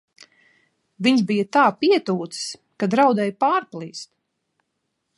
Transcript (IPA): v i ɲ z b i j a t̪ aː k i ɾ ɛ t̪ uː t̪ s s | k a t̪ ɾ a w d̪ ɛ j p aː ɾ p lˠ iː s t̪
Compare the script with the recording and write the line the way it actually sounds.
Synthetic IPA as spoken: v i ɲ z b i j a t̪ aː p i ɛ t̪ uː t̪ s s | k a d̪ ɾ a w d̪ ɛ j p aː ɾ p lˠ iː s t̪